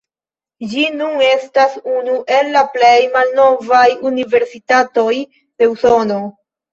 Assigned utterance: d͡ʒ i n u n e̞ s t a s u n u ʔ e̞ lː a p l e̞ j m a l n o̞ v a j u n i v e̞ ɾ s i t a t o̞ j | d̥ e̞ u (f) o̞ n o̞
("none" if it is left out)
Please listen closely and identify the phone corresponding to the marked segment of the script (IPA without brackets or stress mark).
s